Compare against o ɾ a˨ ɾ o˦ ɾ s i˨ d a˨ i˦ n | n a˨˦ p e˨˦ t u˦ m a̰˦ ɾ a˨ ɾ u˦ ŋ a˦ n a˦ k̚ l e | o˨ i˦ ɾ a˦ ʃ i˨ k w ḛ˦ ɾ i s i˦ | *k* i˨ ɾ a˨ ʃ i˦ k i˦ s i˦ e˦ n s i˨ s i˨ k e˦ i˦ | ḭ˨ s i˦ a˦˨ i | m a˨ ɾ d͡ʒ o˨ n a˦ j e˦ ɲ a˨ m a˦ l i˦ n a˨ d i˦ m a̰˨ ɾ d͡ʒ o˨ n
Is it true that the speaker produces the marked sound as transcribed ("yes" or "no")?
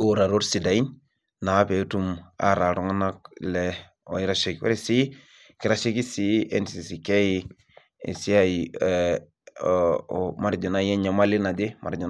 yes